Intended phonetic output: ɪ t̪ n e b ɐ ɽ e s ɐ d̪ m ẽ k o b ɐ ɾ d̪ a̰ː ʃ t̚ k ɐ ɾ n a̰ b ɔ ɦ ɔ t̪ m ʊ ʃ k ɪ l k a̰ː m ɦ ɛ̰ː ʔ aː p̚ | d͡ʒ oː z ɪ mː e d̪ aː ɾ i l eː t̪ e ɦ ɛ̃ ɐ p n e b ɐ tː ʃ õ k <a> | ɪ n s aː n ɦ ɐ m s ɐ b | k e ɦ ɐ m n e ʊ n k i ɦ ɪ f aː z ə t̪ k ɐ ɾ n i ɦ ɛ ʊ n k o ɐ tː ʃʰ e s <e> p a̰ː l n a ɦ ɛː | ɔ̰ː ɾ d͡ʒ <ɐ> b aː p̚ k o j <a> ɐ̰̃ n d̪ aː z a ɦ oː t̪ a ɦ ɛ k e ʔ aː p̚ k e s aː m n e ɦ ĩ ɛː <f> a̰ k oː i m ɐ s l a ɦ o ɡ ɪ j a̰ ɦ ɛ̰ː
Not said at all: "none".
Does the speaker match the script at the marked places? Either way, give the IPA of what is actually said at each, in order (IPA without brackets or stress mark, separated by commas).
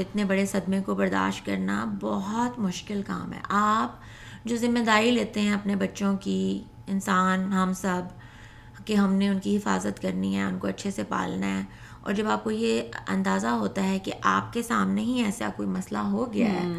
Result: i, e, ɐ, e, s